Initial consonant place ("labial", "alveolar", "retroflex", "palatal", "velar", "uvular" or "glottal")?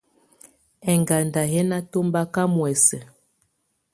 velar